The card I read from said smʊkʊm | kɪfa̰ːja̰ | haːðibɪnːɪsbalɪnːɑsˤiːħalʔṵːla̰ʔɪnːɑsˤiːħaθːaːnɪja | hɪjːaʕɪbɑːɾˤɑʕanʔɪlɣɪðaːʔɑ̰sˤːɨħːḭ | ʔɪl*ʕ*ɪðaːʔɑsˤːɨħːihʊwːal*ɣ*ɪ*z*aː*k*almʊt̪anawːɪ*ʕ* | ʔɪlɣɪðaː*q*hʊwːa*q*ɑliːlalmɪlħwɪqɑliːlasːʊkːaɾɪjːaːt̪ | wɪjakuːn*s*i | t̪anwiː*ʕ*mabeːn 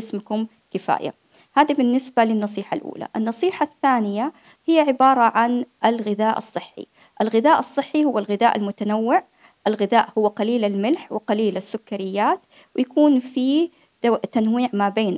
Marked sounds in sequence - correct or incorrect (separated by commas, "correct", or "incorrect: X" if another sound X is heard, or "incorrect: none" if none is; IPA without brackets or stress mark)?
incorrect: ɣ, correct, incorrect: ð, incorrect: ʔ, correct, incorrect: ʔ, correct, incorrect: f, correct